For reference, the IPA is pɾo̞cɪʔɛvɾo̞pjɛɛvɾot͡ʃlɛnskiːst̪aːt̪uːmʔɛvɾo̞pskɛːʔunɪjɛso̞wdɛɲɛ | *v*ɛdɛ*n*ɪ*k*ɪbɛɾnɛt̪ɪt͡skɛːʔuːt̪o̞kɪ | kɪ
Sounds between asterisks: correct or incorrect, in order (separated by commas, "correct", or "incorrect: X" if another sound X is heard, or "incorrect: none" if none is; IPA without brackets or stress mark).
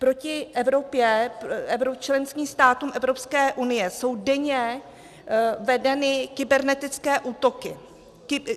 correct, correct, correct